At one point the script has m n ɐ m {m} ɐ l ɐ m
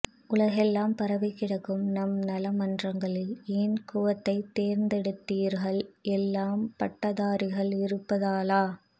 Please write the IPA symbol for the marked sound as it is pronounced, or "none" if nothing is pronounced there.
n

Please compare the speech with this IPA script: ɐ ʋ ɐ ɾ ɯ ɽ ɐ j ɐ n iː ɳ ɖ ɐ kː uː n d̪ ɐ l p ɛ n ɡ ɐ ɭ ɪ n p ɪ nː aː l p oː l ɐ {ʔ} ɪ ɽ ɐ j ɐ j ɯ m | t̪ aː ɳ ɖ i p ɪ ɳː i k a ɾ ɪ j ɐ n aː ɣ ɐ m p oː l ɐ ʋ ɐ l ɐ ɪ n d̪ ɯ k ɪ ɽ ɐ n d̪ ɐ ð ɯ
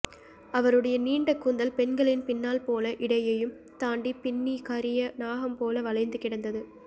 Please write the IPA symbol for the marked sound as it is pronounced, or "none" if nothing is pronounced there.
ʔ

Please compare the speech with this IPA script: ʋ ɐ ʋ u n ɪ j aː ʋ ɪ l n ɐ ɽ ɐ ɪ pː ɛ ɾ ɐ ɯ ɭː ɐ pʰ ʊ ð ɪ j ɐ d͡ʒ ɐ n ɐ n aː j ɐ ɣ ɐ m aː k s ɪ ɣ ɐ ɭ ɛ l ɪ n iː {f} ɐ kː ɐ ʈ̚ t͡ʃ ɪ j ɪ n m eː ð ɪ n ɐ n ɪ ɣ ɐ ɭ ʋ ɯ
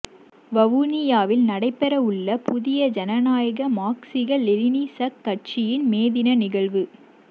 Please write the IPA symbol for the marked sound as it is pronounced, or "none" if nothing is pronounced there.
s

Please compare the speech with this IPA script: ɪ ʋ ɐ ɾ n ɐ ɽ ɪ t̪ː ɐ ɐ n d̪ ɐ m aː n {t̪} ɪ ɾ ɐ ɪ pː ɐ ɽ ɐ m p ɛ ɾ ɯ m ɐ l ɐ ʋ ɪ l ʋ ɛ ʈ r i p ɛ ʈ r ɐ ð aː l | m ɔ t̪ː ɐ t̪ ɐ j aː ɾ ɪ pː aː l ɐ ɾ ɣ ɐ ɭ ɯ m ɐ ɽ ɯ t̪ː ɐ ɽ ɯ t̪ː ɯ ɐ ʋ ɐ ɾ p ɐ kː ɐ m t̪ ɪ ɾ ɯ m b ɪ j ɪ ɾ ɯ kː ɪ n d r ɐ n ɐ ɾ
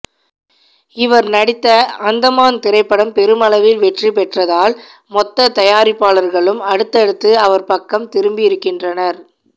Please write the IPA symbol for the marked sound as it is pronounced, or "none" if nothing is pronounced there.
t̪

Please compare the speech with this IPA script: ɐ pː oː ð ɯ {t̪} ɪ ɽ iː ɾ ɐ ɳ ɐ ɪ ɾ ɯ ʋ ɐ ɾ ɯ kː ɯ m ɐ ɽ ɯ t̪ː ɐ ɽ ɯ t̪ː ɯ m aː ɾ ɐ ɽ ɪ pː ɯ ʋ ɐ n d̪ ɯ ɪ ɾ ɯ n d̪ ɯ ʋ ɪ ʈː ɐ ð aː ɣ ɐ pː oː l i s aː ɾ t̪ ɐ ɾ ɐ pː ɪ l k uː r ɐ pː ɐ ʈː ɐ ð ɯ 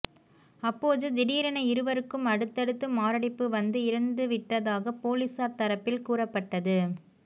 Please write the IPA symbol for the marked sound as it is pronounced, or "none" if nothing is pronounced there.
d̪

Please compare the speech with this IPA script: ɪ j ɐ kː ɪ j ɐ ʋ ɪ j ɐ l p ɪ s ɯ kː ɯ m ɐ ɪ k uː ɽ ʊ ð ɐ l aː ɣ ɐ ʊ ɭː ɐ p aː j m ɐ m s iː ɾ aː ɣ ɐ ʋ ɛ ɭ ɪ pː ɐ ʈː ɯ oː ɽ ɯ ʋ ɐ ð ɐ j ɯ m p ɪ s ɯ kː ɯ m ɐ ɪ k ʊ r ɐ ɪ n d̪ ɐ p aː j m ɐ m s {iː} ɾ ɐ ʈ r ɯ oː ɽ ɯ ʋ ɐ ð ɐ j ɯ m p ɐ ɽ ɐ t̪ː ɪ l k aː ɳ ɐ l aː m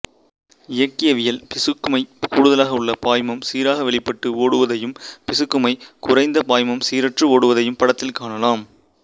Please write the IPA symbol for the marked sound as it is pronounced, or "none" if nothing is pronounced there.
iː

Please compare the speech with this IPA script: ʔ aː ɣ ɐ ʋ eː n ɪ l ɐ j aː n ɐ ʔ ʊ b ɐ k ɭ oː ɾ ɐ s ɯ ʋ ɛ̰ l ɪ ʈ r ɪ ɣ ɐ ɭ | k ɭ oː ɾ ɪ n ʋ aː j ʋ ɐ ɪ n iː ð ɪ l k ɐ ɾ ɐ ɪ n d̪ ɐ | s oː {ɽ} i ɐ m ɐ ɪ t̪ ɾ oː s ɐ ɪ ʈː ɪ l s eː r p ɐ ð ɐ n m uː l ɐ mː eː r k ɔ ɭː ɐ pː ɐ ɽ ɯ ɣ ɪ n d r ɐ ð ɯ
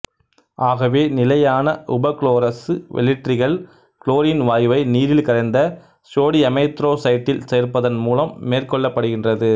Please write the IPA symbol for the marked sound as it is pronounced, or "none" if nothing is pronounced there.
ɽ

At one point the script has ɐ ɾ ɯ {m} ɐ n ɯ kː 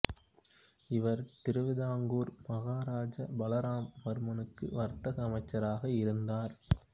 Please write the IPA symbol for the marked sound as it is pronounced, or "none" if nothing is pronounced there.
m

